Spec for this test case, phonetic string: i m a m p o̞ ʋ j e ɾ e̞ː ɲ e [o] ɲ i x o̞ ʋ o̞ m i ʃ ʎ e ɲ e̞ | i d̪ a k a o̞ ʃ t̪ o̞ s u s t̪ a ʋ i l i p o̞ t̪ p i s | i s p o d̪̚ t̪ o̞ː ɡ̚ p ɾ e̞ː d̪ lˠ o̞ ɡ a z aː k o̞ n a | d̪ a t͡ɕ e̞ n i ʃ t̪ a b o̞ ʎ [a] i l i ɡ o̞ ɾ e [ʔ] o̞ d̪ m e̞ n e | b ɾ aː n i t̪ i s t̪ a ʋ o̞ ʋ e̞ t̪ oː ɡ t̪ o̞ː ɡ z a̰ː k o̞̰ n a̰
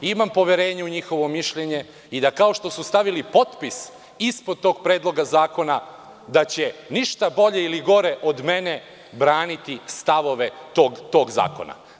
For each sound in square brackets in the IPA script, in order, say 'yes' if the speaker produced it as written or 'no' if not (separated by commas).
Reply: no, no, yes